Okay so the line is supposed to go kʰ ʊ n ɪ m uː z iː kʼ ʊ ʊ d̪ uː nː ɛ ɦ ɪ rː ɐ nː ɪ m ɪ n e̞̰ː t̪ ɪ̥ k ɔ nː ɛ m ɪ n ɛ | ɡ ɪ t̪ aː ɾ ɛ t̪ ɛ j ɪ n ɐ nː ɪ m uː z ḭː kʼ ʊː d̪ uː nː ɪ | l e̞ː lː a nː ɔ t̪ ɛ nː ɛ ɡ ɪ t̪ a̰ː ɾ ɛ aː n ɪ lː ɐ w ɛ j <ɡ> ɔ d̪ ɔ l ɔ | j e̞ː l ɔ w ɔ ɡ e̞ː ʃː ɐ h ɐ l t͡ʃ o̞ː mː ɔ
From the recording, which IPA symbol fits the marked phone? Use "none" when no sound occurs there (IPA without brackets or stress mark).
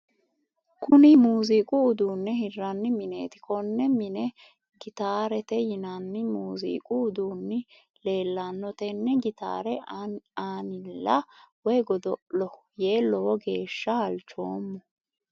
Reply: ɡ